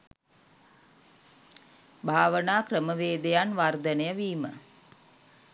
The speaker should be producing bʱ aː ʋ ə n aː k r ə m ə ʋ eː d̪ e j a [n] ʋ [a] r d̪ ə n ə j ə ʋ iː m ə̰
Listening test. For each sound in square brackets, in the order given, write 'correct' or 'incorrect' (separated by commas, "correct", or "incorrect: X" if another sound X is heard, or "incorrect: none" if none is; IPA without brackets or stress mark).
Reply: correct, correct